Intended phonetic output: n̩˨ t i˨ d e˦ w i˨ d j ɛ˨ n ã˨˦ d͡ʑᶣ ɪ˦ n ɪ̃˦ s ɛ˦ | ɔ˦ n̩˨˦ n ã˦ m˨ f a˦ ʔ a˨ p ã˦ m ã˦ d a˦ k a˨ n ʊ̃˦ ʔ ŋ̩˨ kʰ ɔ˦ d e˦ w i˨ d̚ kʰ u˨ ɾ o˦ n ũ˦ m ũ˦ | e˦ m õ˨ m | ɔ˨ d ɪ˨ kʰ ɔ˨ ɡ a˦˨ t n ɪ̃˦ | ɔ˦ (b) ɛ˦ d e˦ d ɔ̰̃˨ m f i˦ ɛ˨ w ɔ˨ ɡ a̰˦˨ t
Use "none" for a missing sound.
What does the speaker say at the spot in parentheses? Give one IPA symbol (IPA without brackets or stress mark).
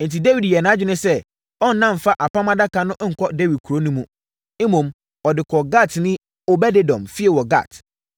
b